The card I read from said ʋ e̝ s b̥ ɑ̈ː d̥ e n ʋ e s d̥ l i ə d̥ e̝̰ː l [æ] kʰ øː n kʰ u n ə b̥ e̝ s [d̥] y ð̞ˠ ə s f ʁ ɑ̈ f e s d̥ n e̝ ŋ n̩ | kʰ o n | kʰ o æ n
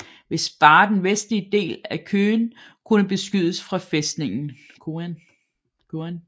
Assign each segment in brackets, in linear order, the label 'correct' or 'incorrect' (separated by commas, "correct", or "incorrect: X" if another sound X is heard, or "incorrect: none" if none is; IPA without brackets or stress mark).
correct, incorrect: ɡ̥